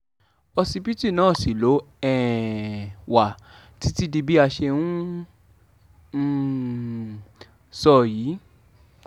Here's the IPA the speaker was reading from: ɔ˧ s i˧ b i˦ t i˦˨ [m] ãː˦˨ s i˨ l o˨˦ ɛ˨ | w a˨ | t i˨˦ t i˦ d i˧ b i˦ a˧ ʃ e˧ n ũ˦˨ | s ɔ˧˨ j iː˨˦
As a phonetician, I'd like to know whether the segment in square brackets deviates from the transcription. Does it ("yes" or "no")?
yes